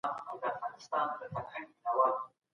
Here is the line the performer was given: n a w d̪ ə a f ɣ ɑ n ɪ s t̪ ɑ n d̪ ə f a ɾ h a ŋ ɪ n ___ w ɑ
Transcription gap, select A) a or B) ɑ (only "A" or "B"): A